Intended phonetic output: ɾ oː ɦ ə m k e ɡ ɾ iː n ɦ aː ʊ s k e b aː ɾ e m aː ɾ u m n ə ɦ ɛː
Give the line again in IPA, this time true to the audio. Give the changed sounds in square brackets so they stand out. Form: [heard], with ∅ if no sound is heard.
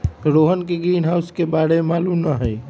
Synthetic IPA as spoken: ɾ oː ɦ ə [n] k e ɡ ɾ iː n ɦ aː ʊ s k e b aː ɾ e m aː [l] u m n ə ɦ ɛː